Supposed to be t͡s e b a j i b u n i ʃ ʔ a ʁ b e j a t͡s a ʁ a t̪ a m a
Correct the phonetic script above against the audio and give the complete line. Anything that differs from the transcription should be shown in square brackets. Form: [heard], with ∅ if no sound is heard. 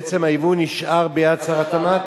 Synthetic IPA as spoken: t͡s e [m] a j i [v] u n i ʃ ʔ a ʁ b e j a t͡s a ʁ a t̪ a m a